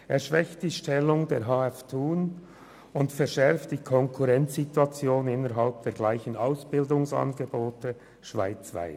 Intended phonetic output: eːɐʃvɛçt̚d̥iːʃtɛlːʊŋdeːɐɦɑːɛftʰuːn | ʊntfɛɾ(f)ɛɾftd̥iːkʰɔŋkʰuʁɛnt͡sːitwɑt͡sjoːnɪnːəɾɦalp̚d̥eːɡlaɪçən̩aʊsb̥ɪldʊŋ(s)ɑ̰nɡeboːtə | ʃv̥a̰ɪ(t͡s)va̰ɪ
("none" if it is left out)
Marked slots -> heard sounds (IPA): ʃ, s, t͡s

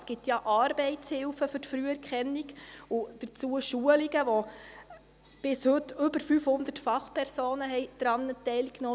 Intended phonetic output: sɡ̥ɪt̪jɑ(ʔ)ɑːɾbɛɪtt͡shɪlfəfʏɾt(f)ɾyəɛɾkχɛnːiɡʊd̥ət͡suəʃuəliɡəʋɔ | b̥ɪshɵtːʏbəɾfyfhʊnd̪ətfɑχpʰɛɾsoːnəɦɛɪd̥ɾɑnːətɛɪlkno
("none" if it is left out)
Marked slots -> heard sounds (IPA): ʔ, f

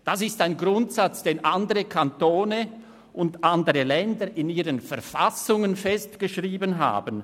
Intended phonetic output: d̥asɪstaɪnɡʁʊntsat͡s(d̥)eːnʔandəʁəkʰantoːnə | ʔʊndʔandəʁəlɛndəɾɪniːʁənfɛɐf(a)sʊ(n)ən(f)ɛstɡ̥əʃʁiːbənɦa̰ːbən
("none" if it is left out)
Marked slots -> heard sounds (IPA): d̥, a, ŋ, f

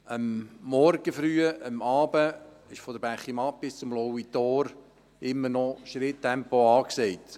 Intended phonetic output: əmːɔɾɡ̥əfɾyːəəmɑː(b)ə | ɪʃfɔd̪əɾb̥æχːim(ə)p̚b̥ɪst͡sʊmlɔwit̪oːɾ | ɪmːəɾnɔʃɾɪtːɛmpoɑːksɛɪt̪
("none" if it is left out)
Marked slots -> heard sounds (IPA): b, ɑ

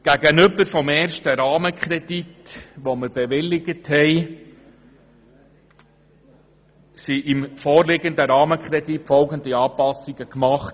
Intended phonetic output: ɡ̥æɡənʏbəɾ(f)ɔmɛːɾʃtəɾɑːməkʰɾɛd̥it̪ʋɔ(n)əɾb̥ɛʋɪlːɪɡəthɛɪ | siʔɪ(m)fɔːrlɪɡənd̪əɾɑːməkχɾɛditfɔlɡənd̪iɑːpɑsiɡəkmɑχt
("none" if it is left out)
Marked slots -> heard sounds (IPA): f, m, m

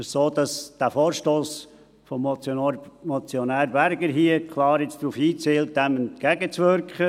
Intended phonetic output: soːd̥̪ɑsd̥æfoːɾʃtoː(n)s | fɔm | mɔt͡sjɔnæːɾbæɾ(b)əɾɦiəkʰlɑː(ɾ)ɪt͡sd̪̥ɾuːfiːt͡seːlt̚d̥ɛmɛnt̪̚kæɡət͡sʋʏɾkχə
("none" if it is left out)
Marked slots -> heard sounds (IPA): none, ɡ, ɾ

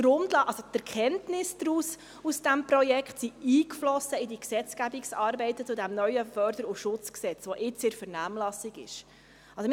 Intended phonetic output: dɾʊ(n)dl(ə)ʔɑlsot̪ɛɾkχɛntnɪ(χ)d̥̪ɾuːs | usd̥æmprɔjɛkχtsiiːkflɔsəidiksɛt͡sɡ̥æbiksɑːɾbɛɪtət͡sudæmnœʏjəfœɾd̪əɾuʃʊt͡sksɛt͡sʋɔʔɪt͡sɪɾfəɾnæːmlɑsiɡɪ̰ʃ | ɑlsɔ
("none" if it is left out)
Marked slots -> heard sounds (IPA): m, ɑ, s

